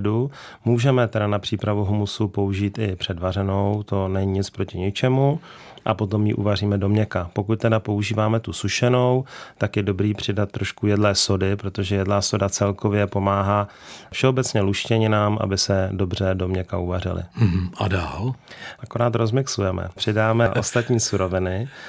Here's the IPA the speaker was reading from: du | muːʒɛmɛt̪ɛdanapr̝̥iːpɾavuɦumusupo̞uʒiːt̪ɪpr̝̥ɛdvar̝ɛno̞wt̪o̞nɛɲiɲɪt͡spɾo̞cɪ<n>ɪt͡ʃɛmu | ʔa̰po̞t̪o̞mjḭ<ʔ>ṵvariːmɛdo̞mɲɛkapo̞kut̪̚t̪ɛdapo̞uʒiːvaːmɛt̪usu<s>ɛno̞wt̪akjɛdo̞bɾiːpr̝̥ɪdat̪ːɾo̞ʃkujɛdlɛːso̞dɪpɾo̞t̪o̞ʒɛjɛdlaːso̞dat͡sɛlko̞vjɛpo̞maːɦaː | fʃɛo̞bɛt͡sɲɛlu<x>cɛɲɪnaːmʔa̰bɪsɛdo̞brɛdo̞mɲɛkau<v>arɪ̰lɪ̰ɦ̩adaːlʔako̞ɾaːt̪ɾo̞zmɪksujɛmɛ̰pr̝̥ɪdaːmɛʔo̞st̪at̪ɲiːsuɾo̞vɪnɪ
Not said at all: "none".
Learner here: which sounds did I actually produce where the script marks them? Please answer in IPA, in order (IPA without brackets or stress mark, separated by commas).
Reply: ɲ, ʔ, ʃ, ʃ, v